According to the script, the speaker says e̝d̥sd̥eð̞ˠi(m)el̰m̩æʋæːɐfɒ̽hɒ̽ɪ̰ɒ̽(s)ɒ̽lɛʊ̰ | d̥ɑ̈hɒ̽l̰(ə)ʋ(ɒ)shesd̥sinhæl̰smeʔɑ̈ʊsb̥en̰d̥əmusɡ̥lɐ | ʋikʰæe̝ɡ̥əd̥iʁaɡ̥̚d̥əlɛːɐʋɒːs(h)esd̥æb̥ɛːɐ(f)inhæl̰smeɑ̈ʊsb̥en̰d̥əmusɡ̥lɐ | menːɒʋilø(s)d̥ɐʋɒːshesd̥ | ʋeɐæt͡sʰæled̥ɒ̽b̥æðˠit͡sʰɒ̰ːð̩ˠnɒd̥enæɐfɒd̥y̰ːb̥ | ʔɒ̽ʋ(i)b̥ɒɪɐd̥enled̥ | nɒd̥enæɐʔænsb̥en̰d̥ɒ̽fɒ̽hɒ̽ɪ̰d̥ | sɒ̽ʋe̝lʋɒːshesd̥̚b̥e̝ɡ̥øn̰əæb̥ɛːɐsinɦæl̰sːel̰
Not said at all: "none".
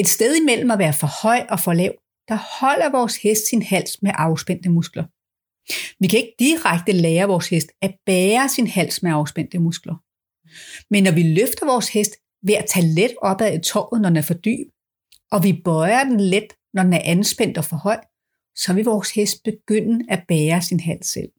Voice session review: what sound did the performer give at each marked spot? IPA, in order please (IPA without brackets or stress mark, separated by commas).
m, f, ɐ, ɒː, h, s, f, i